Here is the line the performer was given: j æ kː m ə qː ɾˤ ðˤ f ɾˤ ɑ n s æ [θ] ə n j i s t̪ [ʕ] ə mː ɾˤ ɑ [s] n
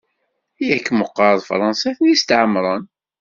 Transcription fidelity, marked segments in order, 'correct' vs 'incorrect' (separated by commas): correct, correct, incorrect